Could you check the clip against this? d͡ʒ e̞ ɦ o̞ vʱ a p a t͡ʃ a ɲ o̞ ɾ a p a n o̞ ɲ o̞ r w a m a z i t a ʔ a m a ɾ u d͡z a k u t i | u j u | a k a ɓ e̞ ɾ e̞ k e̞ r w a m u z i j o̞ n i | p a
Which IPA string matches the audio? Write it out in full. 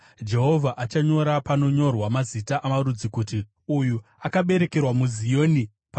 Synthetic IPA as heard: d͡ʒ e̞ ɦ o̞ vʱ a ʔ a t͡ʃ a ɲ o̞ ɾ a p a n o̞ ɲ o̞ r w a m a z i t a ʔ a m a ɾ u d͡z i k u t i | u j u | a k a ɓ e̞ ɾ e̞ k e̞ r w a m u z i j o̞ n i | p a